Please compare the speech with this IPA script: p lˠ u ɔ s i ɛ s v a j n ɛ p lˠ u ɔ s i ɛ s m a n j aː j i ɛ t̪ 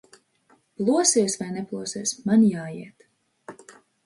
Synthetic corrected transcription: p lˠ u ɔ s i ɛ s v a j n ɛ p lˠ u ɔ s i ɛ s m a n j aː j i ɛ t̪